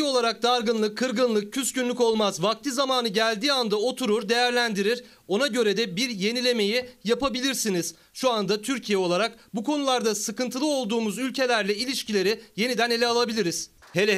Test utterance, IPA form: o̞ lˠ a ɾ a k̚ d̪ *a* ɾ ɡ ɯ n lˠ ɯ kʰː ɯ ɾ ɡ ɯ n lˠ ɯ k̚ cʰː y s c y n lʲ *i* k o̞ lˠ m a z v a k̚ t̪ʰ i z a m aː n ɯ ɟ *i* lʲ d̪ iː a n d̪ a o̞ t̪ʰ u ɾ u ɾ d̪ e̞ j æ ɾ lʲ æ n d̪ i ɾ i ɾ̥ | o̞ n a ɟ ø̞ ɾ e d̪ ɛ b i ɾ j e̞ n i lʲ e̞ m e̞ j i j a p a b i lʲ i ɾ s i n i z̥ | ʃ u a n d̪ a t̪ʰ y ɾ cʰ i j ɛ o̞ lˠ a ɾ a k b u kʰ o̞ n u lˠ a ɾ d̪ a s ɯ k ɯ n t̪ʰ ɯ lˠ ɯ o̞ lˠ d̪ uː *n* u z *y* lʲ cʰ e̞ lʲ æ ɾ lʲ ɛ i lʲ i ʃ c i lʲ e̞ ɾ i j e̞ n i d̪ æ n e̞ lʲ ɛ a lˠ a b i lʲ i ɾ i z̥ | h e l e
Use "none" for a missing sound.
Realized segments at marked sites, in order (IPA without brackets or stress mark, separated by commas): a, y, æ, m, y